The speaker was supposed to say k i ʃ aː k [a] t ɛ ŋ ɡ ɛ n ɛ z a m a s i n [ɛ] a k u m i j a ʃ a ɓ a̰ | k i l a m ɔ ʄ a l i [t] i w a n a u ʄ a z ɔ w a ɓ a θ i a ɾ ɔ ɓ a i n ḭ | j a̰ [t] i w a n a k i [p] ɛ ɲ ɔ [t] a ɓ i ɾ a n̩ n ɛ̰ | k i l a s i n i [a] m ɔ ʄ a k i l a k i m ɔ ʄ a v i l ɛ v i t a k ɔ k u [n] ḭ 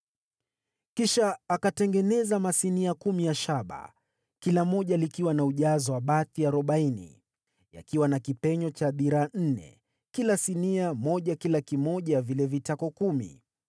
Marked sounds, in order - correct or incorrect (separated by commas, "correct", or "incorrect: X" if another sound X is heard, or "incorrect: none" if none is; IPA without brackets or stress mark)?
correct, incorrect: i, incorrect: k, incorrect: k, correct, incorrect: t͡ʃ, correct, incorrect: m